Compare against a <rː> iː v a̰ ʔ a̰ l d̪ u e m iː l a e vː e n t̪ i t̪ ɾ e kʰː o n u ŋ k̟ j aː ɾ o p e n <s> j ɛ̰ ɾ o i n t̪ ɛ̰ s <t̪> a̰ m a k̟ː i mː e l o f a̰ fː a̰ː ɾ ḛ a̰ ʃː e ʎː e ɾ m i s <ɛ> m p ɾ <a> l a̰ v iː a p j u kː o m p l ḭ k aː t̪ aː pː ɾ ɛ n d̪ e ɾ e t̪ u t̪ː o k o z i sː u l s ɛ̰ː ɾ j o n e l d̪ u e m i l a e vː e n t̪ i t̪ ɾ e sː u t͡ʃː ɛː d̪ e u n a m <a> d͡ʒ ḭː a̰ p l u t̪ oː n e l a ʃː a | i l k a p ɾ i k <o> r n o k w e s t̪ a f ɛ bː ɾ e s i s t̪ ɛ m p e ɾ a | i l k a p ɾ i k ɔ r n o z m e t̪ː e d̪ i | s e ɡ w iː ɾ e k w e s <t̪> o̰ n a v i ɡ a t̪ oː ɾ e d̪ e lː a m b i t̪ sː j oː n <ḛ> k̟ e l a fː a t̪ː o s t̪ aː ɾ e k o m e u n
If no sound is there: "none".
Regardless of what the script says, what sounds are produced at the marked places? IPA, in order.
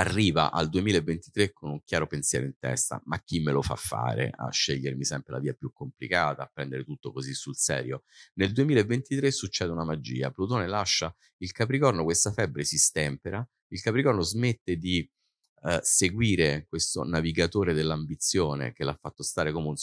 rː, s, t̪, ɛ, e, a, ɔ, t̪, ḛ

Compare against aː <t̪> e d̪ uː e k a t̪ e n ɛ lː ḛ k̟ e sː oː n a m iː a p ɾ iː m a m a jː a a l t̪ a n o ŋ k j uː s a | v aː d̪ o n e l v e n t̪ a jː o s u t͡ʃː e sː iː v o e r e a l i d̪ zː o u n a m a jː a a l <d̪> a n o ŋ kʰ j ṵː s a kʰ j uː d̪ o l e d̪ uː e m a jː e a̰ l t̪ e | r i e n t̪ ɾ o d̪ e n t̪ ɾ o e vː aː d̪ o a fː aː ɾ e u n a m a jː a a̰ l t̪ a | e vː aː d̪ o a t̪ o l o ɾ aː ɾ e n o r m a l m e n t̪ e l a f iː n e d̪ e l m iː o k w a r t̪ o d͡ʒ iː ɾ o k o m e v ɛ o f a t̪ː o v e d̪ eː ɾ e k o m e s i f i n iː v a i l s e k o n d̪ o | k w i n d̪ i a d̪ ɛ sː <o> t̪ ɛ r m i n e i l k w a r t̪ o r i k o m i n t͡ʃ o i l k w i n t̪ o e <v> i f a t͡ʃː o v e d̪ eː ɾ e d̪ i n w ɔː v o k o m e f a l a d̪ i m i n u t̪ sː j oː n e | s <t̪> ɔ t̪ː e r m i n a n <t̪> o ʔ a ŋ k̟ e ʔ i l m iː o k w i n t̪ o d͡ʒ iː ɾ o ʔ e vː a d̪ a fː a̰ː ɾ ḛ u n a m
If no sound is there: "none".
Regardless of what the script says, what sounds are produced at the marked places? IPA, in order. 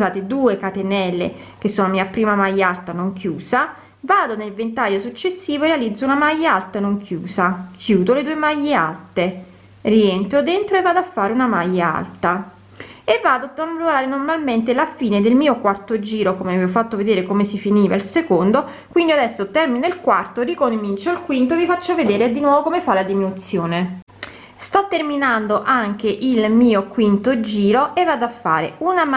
t̪, t̪, o, v, t̪, d̪

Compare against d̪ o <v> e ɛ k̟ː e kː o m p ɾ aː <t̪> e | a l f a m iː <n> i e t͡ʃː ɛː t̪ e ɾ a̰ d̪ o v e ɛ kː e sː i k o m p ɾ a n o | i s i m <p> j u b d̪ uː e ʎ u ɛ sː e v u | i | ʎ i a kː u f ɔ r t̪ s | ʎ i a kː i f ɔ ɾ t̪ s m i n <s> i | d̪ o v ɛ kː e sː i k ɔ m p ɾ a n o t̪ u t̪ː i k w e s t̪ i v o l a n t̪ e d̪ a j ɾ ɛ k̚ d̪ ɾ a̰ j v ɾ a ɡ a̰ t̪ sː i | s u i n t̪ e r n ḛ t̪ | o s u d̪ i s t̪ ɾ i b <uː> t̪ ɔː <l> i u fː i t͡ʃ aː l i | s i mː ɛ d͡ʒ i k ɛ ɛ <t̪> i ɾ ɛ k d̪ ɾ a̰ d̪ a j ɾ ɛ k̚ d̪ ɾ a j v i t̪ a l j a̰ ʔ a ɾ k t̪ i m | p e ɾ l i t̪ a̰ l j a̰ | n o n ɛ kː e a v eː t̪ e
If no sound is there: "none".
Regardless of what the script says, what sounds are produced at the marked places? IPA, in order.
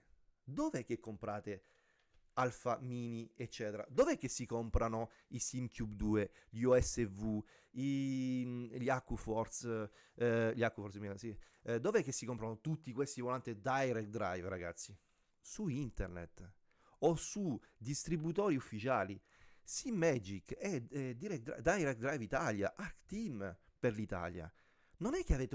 v, t̪, n, k, s, u, ɾ, d̪

